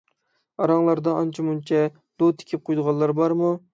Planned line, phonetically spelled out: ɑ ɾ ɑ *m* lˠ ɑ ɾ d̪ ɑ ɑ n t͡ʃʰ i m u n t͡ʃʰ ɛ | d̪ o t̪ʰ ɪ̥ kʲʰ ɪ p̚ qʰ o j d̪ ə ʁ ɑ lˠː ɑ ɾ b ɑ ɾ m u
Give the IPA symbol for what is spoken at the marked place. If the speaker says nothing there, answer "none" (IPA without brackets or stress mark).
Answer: ŋ